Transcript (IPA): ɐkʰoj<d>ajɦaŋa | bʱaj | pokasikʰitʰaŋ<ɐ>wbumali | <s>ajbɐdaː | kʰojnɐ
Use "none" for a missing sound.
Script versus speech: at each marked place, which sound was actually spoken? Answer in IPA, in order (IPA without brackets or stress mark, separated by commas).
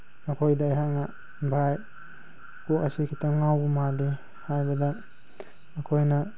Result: d, a, h